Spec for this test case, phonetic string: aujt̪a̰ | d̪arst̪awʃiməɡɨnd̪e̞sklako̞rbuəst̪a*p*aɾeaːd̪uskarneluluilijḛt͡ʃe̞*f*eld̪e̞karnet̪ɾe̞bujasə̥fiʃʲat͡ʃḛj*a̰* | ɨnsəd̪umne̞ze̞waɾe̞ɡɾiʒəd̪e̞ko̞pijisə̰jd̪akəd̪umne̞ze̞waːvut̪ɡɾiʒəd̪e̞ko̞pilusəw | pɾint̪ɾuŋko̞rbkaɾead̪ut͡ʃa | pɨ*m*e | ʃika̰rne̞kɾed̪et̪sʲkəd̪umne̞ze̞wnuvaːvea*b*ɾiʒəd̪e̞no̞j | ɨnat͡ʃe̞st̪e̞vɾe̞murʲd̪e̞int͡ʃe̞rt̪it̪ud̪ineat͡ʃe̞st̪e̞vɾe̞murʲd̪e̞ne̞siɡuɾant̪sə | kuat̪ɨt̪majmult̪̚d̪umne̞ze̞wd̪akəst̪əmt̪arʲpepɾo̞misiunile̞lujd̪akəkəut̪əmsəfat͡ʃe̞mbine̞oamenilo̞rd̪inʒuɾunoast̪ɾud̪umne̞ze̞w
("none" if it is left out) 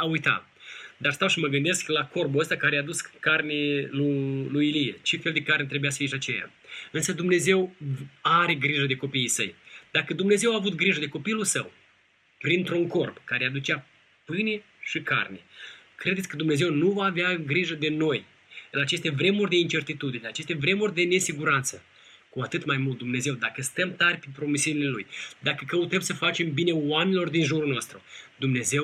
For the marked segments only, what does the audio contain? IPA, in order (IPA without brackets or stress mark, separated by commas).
k, f, a̰, n, ɡ